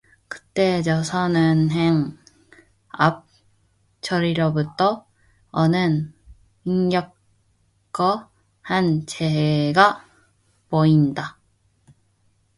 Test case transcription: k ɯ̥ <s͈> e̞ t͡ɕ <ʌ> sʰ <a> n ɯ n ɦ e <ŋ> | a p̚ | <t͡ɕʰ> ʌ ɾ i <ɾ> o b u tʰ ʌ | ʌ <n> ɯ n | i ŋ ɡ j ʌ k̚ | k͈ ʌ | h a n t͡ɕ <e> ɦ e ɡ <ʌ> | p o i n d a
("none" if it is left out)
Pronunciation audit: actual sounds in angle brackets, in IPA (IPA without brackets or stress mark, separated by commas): t͈, ʌ, ʌ, ŋ, t͡ɕʰ, ɾ, n, e, a